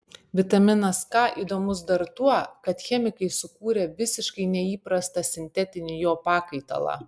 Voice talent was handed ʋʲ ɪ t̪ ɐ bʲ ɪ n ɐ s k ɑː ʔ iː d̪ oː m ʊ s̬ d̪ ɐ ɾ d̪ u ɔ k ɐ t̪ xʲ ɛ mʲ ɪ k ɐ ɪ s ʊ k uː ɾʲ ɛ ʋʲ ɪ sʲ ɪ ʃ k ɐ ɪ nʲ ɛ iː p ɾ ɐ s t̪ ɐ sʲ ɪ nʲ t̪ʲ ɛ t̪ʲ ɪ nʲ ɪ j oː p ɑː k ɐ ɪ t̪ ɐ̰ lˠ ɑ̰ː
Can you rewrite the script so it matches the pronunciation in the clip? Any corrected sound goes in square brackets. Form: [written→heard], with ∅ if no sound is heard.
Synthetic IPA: ʋʲ ɪ t̪ ɐ [bʲ→mʲ] ɪ n ɐ s k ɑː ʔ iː d̪ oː m ʊ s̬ d̪ ɐ ɾ [d̪→t̪] u ɔ k ɐ t̪ xʲ ɛ mʲ ɪ k ɐ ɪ s ʊ k uː ɾʲ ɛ ʋʲ ɪ sʲ ɪ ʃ k ɐ ɪ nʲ ɛ iː p ɾ ɐ s t̪ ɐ sʲ ɪ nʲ t̪ʲ ɛ t̪ʲ ɪ nʲ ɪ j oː p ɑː k ɐ ɪ t̪ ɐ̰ lˠ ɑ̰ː